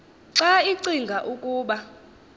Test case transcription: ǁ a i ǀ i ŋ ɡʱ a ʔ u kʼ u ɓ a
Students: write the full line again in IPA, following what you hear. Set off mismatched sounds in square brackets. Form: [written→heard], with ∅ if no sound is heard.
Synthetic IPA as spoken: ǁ a i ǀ i ŋ ɡʱ a ʔ u kʼ [u→uː] ɓ a